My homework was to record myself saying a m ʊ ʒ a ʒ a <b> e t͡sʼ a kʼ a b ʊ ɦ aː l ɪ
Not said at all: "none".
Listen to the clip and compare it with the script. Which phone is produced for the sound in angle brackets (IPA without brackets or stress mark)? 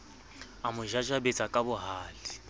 b